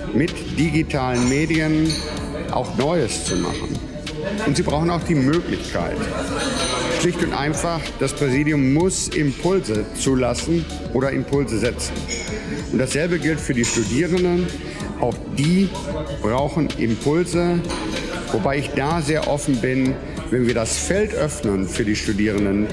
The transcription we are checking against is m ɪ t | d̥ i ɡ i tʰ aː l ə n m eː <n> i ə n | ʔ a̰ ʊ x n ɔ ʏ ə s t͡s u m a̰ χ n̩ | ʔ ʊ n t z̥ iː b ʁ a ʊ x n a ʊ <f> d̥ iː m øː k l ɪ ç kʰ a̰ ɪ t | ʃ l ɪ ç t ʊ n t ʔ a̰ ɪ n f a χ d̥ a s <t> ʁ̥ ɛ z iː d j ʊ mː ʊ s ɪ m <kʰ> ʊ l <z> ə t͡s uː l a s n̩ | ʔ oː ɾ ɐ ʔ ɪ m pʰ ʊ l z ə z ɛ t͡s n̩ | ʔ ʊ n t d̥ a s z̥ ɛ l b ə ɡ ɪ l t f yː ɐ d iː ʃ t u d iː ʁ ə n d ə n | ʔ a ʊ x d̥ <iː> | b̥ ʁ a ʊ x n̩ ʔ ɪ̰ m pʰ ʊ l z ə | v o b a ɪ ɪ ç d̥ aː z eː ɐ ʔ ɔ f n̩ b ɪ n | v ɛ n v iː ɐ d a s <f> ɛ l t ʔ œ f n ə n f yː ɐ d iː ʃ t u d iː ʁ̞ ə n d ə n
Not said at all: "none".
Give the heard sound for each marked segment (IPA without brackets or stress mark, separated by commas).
d, x, p, pʰ, z, iː, f